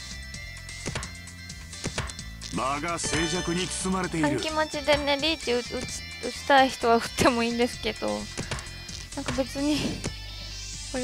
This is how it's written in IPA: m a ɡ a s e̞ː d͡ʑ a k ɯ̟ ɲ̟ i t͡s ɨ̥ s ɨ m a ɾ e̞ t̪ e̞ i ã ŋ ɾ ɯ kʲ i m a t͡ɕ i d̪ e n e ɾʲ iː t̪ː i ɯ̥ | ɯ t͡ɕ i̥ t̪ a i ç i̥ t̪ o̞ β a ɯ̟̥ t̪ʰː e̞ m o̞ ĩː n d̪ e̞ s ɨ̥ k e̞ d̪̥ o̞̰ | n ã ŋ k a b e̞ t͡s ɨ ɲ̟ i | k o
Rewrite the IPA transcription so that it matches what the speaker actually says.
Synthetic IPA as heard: m a ɡ a s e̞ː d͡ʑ a k ɯ̟ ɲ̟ i t͡s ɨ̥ s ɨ m a ɾ e̞ t̪ e̞ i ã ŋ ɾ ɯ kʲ i m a t͡ɕ i d̪ e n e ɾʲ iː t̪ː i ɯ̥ | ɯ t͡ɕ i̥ t̪ a i ç i̥ t̪ o̞ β a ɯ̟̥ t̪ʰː e̞ m o̞ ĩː n d̪ e̞ s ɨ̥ k e̞ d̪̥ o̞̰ | n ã ŋ k a b e̞ t͡s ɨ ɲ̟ i | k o